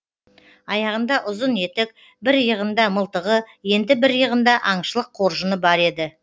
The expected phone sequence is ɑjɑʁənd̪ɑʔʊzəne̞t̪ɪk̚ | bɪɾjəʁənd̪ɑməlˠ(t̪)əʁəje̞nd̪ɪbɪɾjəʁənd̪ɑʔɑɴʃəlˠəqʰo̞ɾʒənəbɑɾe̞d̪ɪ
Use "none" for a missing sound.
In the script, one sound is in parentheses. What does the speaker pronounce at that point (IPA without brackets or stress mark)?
t̪